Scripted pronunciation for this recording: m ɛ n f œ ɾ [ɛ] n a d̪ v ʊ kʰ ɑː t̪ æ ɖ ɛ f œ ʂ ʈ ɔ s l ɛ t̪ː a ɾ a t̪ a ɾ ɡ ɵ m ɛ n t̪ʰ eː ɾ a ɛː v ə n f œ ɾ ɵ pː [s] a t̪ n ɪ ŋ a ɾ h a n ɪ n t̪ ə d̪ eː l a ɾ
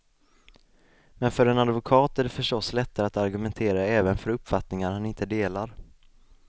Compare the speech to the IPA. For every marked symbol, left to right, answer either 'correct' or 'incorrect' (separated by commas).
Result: correct, incorrect